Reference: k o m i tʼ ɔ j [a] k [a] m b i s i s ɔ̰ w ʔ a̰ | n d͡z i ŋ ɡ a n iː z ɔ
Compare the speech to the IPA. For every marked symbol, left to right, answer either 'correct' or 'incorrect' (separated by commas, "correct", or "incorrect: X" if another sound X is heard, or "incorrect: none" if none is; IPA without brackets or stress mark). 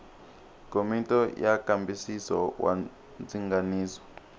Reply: correct, correct